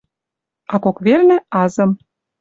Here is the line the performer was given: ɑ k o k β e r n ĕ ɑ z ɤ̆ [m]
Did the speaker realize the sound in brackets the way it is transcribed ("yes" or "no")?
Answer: yes